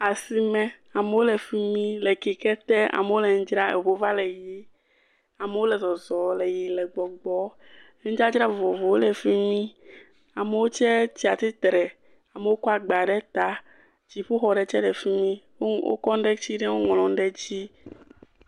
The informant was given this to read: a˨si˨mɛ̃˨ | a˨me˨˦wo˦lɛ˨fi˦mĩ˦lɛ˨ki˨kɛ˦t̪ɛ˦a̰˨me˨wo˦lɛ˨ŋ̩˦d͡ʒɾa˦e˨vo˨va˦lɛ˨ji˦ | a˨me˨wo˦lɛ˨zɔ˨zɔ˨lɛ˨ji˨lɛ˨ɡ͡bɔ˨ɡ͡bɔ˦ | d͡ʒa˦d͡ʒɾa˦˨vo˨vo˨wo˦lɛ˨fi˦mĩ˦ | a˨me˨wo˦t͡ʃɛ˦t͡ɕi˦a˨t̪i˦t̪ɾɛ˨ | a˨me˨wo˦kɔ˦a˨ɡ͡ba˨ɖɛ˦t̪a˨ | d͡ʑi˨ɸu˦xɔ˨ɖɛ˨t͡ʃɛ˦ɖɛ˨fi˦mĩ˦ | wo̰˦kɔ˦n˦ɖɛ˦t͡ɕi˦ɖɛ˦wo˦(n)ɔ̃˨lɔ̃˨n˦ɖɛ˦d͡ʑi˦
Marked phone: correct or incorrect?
incorrect